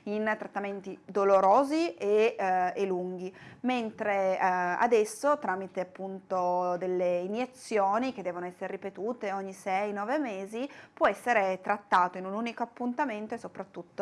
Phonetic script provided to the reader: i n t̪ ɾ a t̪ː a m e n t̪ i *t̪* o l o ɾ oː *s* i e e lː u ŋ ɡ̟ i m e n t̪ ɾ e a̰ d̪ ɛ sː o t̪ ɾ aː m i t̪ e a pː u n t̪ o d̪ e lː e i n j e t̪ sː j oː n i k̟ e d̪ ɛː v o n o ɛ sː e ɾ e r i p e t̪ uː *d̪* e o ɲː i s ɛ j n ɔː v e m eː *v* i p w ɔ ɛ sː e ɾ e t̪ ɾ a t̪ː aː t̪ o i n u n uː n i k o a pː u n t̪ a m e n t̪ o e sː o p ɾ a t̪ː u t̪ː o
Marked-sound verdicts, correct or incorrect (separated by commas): incorrect, incorrect, incorrect, incorrect